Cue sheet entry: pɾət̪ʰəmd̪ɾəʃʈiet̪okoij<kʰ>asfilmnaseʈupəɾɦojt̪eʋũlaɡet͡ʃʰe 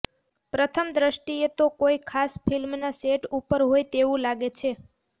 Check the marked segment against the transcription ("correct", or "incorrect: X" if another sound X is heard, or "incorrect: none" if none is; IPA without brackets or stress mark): correct